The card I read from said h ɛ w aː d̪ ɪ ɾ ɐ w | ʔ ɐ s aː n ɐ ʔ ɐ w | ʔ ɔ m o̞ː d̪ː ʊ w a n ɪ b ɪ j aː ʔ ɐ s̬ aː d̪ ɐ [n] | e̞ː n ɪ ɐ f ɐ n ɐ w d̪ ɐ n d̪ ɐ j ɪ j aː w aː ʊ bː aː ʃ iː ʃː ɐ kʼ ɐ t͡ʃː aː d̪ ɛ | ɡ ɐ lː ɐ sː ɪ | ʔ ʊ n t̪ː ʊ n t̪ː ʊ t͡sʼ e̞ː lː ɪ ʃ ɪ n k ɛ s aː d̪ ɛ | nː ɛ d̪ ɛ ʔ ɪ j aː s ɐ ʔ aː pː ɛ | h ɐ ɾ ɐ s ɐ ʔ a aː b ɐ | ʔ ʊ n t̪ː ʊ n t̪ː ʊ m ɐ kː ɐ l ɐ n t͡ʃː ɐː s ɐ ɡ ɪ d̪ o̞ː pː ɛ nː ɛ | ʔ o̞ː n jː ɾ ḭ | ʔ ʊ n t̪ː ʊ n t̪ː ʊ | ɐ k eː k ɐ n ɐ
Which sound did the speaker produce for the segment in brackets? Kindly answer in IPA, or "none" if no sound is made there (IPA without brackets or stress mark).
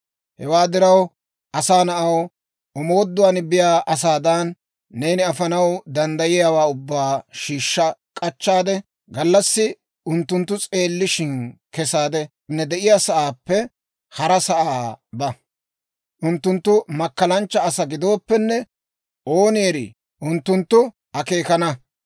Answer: nː